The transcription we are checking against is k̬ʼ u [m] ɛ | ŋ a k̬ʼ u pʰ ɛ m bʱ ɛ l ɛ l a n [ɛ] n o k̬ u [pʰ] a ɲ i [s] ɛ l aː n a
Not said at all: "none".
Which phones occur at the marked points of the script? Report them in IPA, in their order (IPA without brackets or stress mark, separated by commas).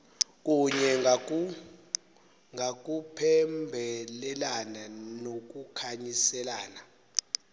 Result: ɲ, a, kʰ, s